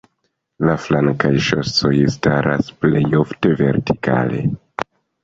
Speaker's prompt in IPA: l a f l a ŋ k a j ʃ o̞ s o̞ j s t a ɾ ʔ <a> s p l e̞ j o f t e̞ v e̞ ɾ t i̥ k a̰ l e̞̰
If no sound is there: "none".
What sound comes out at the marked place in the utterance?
a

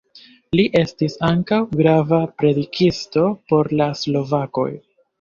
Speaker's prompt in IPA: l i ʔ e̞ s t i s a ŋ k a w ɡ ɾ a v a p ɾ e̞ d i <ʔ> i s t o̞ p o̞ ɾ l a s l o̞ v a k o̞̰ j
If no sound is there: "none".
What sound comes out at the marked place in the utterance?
k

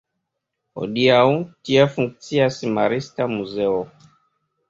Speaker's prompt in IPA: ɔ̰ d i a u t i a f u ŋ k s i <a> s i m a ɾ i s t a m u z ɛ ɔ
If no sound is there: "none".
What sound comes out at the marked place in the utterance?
a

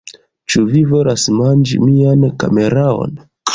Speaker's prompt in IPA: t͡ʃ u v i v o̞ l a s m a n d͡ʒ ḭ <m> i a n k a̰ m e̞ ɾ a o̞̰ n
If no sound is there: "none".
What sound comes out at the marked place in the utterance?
m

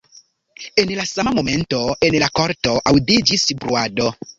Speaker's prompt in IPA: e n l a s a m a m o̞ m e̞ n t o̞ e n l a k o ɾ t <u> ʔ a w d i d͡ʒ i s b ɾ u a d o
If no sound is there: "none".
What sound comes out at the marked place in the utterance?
o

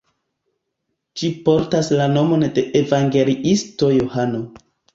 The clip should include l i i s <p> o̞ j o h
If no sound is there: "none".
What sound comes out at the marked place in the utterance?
t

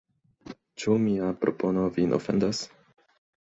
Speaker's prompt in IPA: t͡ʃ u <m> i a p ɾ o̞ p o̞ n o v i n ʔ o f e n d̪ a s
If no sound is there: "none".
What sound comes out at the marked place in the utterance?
m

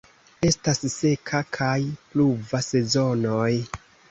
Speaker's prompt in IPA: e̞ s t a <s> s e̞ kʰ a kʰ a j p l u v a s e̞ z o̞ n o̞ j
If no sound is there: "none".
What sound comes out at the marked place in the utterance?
s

